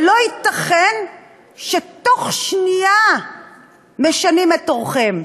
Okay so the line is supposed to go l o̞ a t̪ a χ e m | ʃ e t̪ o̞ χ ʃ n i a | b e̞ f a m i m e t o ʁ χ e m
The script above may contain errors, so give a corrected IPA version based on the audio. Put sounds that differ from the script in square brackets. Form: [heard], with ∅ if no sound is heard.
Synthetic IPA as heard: l o̞ [i] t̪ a χ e [n] | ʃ e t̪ o̞ χ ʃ n i a | [m] e̞ [ʃ] a [n] i m e t o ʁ χ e m